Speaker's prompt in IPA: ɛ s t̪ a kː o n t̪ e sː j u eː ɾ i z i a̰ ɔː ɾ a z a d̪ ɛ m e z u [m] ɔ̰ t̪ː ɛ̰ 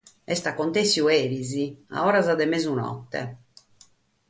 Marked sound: incorrect: n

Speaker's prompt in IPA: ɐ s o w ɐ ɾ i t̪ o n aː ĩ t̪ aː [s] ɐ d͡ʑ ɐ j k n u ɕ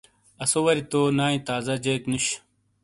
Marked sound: incorrect: z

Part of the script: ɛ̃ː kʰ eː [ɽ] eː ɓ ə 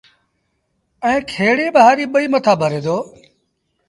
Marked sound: correct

